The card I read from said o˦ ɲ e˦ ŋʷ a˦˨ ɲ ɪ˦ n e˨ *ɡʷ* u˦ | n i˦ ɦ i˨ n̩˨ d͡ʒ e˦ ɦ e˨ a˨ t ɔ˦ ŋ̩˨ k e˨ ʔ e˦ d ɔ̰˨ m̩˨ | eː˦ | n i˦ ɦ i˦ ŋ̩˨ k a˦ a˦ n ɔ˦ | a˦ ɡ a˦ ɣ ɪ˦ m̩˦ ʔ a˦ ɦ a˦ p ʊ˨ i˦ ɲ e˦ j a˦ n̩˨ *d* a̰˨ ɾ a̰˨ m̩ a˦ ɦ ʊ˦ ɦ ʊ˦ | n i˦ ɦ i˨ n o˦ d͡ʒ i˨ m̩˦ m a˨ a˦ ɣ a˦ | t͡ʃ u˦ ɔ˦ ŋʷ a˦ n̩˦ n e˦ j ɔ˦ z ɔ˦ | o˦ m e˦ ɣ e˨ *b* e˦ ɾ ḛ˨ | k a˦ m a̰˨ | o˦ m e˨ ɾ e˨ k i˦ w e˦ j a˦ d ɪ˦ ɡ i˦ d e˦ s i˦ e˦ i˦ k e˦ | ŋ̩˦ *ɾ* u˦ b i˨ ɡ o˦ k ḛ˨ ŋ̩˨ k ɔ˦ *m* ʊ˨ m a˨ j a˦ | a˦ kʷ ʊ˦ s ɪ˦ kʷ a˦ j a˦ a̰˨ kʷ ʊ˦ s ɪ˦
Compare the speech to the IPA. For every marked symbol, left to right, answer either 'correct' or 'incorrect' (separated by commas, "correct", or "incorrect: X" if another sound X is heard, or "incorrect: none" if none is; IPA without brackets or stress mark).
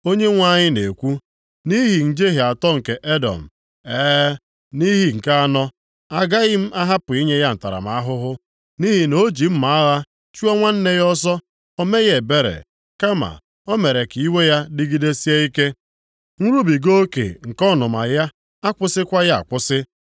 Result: incorrect: kʷ, incorrect: t, correct, correct, incorrect: n